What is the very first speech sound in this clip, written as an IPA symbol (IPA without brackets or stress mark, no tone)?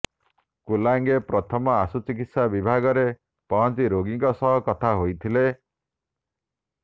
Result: k